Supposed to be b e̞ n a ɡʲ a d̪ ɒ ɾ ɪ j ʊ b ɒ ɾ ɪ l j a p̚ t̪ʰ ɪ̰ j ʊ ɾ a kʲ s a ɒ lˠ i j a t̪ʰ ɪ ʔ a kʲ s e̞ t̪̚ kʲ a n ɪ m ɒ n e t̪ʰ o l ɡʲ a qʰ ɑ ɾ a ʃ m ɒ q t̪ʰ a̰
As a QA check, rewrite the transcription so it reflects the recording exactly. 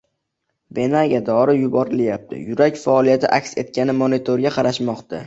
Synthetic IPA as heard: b e̞ n a ɡʲ a d̪ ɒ ɾ ɪ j ʊ b ɒ ɾ ɪ l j a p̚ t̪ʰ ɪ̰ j ʊ ɾ a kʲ f a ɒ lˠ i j a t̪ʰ ɪ ʔ a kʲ s e̞ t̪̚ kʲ a n ɪ m o n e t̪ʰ o ɾ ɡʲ a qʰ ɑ ɾ a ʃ m ɒ q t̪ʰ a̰